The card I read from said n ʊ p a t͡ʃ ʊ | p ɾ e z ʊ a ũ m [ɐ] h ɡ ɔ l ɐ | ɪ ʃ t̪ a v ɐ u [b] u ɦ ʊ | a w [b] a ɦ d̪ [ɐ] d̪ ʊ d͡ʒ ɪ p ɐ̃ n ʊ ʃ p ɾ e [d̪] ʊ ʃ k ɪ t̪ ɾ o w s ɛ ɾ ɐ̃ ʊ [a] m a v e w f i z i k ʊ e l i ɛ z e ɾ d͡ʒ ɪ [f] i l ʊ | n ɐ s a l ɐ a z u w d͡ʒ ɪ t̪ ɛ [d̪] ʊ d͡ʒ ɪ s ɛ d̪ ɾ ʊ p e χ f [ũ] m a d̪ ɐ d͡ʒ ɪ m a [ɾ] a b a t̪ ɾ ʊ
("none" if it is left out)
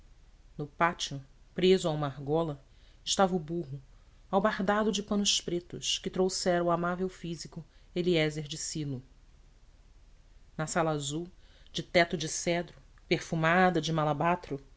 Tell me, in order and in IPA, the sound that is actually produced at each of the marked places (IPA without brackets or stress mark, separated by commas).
a, b, b, a, t̪, a, s, t̪, u, l